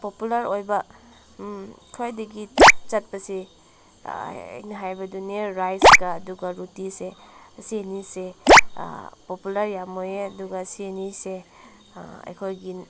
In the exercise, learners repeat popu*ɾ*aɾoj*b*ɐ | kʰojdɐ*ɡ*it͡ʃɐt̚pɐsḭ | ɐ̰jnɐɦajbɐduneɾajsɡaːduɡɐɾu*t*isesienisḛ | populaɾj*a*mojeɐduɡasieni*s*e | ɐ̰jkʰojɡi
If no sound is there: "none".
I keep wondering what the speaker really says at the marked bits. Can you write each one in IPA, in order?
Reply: l, b, ɡ, t, a, s

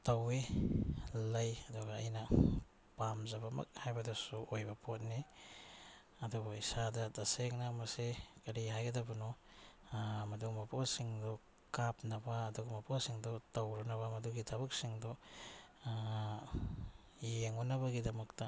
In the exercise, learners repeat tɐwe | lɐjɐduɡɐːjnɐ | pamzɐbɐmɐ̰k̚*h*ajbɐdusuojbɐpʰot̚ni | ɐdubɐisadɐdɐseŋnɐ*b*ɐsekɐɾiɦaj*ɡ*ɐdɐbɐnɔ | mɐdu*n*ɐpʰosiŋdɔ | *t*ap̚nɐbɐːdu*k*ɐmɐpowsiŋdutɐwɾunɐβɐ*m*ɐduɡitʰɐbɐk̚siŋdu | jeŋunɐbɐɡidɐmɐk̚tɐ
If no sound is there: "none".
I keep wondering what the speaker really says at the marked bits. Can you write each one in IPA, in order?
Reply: h, m, ɡ, m, k, ɡ, m

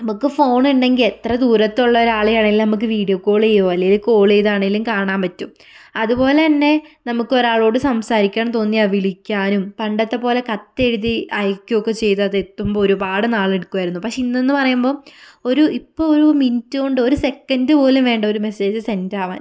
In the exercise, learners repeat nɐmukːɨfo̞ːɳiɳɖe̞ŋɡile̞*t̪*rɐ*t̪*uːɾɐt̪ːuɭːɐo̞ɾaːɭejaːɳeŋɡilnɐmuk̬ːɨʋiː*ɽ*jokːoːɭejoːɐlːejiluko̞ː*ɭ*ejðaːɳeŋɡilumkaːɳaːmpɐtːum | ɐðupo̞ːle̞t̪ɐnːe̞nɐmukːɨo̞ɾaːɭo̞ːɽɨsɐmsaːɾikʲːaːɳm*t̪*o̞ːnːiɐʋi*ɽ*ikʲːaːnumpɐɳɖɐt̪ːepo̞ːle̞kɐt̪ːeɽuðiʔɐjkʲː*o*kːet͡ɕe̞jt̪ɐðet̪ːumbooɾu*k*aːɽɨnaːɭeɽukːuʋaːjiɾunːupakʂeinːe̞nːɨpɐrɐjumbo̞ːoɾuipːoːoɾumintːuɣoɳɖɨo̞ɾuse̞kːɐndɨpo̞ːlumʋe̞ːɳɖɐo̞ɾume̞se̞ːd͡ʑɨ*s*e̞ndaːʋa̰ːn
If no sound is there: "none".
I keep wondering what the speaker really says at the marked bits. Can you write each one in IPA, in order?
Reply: t̪, d̪, ɽ, ɭ, t̪, ɭ, o, p, s

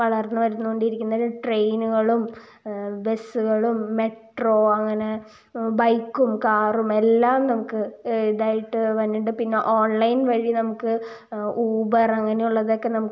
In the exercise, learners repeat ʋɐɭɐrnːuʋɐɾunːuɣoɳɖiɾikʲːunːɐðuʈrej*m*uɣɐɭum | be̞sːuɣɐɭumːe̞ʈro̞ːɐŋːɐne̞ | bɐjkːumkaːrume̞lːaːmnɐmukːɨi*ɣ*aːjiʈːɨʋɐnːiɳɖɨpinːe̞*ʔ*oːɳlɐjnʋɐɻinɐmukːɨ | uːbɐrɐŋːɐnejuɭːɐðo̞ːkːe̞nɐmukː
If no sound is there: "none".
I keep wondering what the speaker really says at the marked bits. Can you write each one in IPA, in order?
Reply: n, ð, ʔ

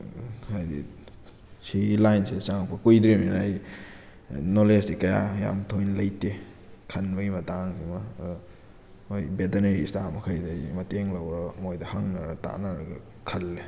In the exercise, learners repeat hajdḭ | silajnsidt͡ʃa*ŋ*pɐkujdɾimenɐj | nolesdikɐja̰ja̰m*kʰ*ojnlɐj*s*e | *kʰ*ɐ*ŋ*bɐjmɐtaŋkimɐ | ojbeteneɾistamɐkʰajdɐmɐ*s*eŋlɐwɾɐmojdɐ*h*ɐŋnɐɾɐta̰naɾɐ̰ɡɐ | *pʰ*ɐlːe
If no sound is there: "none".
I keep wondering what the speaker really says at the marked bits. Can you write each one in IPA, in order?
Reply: ŋ, tʰ, t, kʰ, n, t, h, kʰ

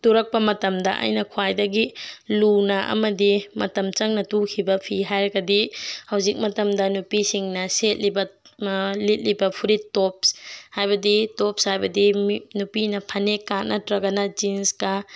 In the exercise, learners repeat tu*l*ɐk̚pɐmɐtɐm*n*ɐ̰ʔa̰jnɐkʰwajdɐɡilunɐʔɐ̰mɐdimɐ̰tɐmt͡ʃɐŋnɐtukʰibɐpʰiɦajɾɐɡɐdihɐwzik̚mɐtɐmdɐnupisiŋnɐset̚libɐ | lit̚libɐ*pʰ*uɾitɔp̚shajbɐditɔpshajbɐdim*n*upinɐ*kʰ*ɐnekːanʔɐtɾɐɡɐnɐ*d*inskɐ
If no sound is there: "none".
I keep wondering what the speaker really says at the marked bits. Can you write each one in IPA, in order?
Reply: ɾ, d, pʰ, n, pʰ, d͡ʒ

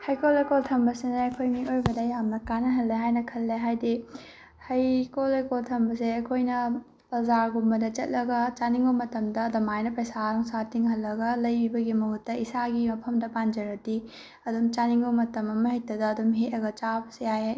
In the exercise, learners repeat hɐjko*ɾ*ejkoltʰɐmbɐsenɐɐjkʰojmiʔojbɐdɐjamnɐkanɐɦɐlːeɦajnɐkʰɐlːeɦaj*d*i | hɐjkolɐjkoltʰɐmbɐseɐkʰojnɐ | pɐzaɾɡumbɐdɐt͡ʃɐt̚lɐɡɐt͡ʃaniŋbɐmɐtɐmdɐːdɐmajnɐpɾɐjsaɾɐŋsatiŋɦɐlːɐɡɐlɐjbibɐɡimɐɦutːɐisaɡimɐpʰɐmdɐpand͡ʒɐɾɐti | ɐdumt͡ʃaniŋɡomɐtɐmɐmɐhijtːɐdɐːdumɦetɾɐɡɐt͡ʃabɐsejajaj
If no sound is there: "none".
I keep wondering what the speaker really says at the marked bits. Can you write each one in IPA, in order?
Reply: l, d

